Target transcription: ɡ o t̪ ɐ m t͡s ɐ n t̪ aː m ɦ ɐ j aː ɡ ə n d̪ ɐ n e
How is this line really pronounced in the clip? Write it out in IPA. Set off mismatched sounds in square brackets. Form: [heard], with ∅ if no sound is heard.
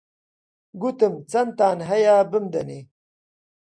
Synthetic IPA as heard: ɡ [u] t̪ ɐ m t͡s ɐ n t̪ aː [n] ɦ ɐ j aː [b] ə [m] d̪ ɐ n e